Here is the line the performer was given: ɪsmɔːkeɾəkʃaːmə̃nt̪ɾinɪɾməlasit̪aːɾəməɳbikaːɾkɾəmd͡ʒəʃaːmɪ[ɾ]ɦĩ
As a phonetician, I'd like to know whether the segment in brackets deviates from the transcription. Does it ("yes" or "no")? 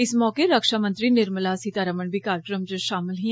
yes